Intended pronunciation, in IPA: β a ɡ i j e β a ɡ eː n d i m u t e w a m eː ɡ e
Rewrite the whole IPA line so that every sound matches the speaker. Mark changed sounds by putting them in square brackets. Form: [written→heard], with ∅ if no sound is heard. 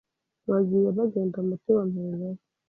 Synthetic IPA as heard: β a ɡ i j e β a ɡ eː n d [i→a] m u t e w a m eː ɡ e

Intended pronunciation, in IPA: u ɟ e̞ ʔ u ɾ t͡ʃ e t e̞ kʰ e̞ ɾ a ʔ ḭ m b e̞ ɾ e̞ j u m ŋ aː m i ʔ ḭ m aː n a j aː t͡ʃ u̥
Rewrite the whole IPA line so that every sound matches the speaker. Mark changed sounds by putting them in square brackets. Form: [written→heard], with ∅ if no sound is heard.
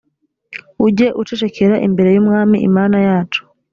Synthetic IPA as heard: u ɟ e̞ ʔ u [ɾ→∅] t͡ʃ e [t→t͡ʃ] e̞ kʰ e̞ ɾ a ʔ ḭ m b e̞ ɾ e̞ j u m ŋ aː m i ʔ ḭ m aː n a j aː t͡ʃ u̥

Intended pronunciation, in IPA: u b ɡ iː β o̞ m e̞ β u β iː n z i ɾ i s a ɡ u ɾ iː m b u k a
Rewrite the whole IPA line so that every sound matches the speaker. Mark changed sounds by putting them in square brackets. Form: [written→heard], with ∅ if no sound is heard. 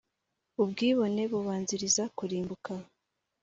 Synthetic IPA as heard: u b ɡ iː β o̞ [m→n] e̞ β u β [iː→aː] n z i ɾ i [s→z] a [ɡ→k] u ɾ iː m b u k a

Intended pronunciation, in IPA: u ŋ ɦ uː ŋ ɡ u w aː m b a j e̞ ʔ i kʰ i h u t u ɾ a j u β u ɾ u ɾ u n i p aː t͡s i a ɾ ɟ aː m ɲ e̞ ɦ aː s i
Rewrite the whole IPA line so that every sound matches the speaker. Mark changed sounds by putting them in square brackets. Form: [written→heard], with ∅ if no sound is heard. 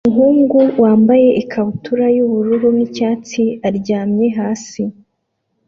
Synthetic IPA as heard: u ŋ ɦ uː ŋ ɡ u w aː m b a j e̞ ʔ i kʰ [i→a] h u t u ɾ a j u β u ɾ u ɾ u n i [p→c] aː t͡s i a ɾ ɟ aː m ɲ e̞ ɦ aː s i

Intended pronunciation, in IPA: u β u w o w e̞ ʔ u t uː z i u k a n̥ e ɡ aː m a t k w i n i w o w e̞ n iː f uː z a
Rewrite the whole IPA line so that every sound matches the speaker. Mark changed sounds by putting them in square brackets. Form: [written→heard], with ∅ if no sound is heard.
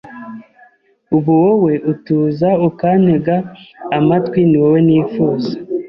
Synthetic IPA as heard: u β u w o w e̞ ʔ u t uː z [i→a] u k a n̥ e ɡ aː m a t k w i n i w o w e̞ n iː f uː z a

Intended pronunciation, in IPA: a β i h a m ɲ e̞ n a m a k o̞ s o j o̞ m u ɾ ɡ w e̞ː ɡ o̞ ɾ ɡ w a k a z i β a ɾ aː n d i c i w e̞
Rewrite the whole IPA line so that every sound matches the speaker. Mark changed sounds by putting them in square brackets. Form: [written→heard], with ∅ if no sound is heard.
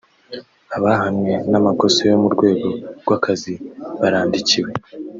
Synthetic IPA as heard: a β [i→a] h a m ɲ e̞ n a m a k o̞ s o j o̞ m u ɾ ɡ w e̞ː ɡ o̞ ɾ ɡ w a k a z i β a ɾ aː n d i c i w e̞

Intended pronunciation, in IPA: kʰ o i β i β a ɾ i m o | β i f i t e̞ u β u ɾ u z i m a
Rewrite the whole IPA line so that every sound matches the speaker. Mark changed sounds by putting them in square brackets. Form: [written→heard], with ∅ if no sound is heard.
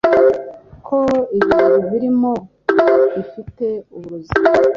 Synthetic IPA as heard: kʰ o i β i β [a→i] ɾ i m o | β i f i t e̞ u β u ɾ u z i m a

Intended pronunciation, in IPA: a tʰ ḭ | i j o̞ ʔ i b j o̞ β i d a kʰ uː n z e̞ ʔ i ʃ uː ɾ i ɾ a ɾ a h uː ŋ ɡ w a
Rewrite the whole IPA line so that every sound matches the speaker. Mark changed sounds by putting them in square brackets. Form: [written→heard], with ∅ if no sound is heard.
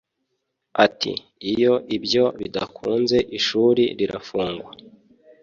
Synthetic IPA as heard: a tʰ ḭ | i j o̞ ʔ i b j o̞ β i d a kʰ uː n z e̞ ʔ i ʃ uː ɾ i ɾ [a→i] ɾ a [h→f] uː ŋ ɡ w a

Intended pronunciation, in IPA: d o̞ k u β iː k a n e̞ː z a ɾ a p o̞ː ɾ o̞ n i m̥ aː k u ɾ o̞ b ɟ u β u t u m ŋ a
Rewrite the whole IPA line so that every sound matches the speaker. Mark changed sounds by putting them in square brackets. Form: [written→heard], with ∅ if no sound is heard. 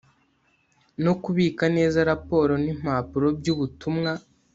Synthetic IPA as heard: [d→n] o̞ k u β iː k a n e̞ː z a ɾ a p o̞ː ɾ o̞ n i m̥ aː [k→p] u ɾ o̞ b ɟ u β u t u m ŋ a

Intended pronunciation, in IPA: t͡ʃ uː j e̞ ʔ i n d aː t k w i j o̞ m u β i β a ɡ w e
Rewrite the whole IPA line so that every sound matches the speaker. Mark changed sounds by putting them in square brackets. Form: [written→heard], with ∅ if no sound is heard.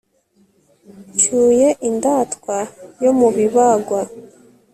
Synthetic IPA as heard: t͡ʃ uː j e̞ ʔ i n d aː t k w [i→a] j o̞ m u β i β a ɡ w [e→a]

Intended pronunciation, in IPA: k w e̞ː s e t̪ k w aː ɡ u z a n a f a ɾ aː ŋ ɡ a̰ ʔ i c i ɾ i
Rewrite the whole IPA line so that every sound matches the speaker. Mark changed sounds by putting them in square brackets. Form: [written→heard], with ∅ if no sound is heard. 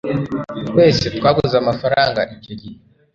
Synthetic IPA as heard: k w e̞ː s e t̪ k w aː ɡ u z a [n→m] a f a ɾ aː ŋ ɡ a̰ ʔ i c i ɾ i

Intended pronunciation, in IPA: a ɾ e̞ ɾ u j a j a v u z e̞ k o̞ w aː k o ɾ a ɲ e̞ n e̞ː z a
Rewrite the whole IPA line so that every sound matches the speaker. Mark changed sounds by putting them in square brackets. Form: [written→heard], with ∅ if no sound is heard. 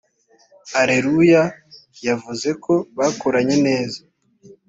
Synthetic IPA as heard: a ɾ e̞ ɾ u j a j a v u z e̞ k o̞ [w→β] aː k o ɾ a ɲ e̞ n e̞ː z a

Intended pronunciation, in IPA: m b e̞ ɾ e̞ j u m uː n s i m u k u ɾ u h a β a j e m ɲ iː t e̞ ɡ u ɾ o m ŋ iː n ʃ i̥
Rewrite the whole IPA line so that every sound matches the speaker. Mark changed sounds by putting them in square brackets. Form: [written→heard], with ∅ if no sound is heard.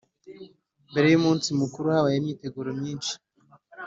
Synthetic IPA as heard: m b e̞ ɾ e̞ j u m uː n s i m u k u ɾ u h a β a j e m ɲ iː t e̞ ɡ u ɾ o m [ŋ→ɲ] iː n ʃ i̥

